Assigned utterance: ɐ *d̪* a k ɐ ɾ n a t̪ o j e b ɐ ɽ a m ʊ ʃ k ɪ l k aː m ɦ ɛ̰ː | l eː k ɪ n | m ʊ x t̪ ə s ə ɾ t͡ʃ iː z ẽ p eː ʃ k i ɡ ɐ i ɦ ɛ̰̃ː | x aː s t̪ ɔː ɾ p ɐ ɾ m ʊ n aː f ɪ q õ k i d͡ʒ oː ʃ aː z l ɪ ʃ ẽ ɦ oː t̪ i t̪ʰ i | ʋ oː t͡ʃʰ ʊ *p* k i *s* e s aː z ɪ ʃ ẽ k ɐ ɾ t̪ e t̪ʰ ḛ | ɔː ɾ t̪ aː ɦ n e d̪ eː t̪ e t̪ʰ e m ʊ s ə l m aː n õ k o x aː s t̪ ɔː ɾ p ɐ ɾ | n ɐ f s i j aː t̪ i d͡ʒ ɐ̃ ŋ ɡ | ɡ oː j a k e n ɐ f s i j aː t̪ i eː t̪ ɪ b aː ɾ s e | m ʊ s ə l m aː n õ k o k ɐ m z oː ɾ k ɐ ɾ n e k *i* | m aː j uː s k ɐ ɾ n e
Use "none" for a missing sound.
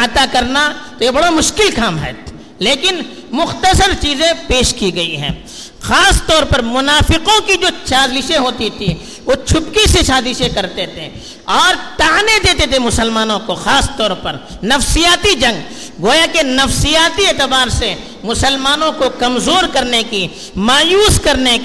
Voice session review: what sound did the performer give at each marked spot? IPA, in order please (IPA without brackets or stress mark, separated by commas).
t̪, p, s, i